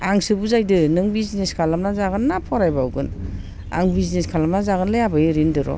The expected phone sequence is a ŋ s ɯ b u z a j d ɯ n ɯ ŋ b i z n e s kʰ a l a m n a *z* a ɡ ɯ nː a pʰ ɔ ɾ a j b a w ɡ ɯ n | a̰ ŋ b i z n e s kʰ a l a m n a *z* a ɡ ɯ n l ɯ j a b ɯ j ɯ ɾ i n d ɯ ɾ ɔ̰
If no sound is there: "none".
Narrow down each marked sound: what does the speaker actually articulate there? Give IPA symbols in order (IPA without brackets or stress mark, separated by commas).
z, z